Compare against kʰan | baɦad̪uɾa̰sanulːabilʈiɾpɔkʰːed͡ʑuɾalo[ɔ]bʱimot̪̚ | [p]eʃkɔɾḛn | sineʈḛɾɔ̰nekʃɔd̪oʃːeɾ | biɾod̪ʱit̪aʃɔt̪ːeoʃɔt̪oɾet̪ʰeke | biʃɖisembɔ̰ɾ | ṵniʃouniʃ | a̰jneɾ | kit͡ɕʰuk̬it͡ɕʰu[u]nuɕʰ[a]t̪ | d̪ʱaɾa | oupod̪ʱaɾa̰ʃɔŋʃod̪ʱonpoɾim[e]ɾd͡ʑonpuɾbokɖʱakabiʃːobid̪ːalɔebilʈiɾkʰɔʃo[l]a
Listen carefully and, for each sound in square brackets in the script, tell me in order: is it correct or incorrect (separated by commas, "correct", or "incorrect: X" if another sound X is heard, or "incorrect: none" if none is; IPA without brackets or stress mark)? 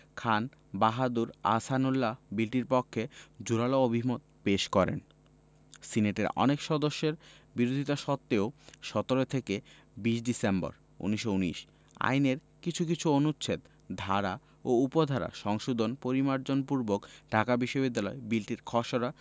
incorrect: o, correct, incorrect: o, incorrect: e, incorrect: a, incorrect: ɾ